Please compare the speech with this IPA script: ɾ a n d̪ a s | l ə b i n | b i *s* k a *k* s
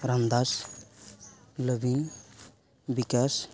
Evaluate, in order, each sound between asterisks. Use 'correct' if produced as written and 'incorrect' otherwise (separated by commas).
incorrect, incorrect